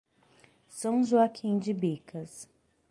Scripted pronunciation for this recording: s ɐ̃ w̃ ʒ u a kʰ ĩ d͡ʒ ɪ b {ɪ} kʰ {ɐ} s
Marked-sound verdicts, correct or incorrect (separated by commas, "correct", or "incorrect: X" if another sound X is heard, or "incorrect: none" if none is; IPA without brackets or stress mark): incorrect: i, correct